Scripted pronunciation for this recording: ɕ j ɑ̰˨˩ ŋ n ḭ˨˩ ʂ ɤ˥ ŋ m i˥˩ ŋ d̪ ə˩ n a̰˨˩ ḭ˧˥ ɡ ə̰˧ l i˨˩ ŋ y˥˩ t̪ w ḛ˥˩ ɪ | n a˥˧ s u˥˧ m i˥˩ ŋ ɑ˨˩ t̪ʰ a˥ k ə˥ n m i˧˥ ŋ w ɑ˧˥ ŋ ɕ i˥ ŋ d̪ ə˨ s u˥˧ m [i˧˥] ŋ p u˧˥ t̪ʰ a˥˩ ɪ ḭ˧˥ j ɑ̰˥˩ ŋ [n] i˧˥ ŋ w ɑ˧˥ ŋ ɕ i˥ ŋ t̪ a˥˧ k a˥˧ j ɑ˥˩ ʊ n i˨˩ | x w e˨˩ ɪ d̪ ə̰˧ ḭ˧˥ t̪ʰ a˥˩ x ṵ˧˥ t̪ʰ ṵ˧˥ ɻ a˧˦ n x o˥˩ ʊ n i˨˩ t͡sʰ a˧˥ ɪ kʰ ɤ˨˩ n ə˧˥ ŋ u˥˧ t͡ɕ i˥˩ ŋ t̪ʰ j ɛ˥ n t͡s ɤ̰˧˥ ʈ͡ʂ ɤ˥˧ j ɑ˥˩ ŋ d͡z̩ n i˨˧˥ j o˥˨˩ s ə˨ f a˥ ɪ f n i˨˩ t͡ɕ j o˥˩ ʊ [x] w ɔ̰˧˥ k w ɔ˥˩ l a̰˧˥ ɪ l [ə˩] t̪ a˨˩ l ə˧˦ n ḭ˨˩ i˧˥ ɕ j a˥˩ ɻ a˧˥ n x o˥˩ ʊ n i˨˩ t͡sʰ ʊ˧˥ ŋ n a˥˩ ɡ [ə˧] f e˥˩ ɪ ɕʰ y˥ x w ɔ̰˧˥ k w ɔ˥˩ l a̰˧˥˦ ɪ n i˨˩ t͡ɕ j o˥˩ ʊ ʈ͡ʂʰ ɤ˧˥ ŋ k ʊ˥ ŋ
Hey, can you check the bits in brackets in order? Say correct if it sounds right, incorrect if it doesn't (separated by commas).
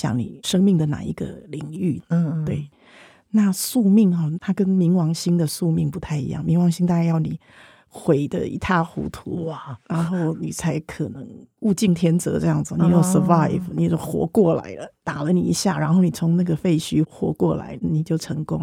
incorrect, incorrect, correct, incorrect, incorrect